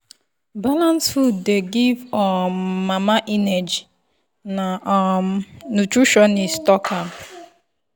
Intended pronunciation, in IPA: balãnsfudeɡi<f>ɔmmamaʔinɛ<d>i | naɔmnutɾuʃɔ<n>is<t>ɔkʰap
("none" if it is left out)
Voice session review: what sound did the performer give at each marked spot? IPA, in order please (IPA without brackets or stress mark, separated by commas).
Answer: v, d͡ʒ, n, t